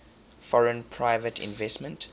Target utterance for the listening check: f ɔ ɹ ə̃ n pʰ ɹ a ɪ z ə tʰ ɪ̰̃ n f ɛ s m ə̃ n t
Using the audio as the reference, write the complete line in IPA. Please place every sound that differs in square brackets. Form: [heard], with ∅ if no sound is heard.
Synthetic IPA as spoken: f ɔ ɹ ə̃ n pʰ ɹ a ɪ [v] ə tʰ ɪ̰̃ n [v] ɛ s m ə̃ n t